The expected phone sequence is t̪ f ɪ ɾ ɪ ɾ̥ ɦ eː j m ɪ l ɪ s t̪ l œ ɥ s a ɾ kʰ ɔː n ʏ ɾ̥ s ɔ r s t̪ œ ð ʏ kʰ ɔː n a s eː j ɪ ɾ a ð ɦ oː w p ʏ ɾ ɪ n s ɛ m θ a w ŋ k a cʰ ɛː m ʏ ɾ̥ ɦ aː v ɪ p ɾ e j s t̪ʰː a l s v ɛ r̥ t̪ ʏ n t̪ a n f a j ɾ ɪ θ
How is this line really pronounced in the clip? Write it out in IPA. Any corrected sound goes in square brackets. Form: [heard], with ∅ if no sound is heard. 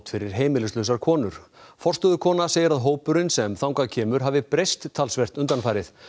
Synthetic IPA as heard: t̪ f ɪ ɾ ɪ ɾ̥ ɦ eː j m ɪ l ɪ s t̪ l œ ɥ s a ɾ kʰ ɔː n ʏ ɾ̥ [f] ɔ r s t̪ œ ð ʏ kʰ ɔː n a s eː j ɪ ɾ a ð ɦ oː w p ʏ ɾ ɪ n s ɛ m θ a w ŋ k a cʰ ɛː m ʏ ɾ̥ ɦ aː v ɪ p ɾ e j s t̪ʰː a l s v ɛ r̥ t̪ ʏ n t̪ a n f a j ɾ ɪ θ